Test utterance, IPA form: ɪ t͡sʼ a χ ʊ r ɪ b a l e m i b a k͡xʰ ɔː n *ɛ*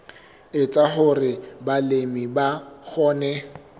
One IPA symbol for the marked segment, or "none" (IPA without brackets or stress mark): ɛ